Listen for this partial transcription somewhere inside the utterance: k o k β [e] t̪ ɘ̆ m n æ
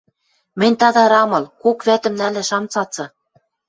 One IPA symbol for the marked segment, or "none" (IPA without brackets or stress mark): æ